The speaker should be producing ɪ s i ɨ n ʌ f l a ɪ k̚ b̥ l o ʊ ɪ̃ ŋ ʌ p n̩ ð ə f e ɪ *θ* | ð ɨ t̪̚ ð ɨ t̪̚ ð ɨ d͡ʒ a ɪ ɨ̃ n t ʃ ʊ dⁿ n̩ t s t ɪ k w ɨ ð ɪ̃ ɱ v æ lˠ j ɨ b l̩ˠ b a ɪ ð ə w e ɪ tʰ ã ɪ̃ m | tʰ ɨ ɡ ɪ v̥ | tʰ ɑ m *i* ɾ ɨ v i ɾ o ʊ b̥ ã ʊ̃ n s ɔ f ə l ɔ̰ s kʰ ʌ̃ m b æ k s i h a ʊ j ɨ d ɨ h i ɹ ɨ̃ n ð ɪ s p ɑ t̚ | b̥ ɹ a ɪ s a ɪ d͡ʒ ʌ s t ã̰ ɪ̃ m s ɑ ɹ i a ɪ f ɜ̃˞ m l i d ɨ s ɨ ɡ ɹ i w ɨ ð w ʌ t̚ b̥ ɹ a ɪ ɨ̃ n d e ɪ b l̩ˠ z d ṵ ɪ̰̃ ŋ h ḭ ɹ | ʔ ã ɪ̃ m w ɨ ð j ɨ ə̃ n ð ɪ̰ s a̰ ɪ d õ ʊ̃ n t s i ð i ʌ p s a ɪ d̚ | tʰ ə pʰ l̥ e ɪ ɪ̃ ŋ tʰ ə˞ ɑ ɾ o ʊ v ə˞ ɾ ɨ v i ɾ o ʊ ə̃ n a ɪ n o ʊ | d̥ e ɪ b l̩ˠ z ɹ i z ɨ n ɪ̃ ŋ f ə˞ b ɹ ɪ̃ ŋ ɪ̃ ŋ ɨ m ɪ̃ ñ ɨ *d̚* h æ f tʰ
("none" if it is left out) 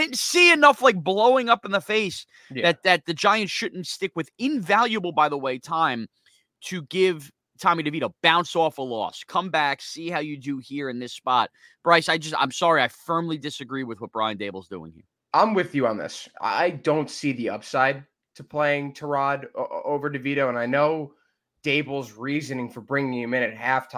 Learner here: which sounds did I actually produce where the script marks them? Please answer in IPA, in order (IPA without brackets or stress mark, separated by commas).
s, i, t̚